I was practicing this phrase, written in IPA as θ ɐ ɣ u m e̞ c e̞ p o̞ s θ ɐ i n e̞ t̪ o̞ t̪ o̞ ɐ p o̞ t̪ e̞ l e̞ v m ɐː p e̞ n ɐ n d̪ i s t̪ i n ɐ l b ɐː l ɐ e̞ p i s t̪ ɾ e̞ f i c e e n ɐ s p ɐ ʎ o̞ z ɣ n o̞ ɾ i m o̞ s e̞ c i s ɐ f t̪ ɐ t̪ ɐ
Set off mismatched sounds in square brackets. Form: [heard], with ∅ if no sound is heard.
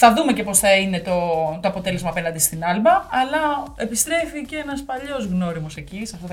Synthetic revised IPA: θ ɐ [ð] u m e̞ c e̞ p o̞ s θ ɐ i n e̞ t̪ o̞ t̪ o̞ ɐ p o̞ t̪ e̞ l e̞ [z] m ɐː p e̞ n ɐ n d̪ i s t̪ i n ɐ l b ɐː l ɐ e̞ p i s t̪ ɾ e̞ f i c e e n ɐ s p ɐ ʎ o̞ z ɣ n o̞ ɾ i m o̞ s e̞ c i s ɐ f t̪ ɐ t̪ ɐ